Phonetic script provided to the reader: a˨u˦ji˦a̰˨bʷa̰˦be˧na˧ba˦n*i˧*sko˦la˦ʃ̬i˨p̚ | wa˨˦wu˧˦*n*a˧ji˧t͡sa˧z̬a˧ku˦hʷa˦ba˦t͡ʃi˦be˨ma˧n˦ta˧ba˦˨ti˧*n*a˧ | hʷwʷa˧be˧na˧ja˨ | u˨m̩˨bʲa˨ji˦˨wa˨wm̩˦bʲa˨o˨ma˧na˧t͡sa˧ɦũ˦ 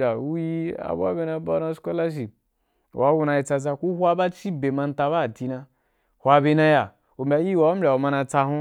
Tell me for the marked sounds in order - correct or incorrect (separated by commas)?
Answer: incorrect, correct, correct